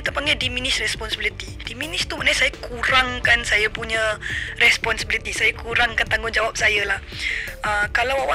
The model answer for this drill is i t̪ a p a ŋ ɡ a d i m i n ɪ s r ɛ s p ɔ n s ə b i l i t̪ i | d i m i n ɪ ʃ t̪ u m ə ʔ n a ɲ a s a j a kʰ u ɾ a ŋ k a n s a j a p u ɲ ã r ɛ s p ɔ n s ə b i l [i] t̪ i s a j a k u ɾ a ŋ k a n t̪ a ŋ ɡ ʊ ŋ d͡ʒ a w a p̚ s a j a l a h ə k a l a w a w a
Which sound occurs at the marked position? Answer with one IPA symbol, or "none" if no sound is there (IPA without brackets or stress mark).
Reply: i